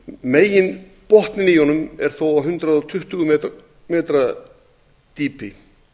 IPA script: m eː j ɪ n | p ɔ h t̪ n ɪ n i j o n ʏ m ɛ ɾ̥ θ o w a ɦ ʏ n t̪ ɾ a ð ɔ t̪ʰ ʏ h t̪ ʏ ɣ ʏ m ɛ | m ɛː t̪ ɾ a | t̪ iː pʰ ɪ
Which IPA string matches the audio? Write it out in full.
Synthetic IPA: m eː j ɪ n | p ɔ h t̪ n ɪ n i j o n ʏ m ɛ ɾ̥ θ o w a ɦ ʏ n t̪ ɾ a ð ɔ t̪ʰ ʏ h t̪ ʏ ɣ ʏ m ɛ | m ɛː t̪ ɾ a | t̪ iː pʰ ɪ